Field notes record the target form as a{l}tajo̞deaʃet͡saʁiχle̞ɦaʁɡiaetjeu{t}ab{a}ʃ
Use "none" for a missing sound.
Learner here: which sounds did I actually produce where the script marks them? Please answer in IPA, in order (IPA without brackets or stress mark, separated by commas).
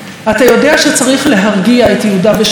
none, d, e